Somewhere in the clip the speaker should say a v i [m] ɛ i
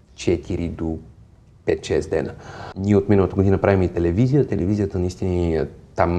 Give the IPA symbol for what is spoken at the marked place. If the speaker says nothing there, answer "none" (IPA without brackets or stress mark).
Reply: m